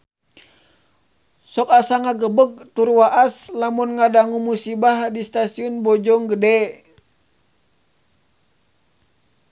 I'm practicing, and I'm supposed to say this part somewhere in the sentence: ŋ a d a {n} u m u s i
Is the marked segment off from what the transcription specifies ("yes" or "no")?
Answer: yes